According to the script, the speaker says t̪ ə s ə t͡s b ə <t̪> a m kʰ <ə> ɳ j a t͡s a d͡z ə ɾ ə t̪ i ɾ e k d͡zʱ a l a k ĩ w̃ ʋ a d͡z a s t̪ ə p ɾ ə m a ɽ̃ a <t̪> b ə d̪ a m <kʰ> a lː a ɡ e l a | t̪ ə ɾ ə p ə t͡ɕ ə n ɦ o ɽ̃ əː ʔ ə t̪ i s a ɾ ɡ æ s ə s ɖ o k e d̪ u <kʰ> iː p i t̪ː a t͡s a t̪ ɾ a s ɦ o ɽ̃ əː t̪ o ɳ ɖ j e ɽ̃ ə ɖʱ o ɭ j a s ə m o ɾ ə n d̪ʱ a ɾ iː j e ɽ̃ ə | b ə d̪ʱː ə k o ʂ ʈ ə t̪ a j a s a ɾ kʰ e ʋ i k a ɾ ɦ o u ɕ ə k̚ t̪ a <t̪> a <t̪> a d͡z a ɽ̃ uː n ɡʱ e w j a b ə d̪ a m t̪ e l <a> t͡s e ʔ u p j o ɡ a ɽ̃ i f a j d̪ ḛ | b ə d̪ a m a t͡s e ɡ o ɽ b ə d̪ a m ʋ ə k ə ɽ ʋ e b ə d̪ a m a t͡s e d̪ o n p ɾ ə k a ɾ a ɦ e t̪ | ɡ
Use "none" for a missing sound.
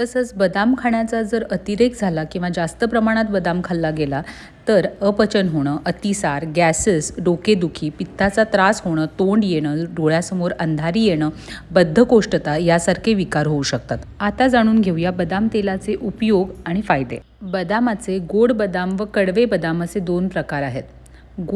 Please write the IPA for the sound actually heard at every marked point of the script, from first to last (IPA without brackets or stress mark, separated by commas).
d̪, a, t̪, kʰ, kʰ, t̪, t̪, a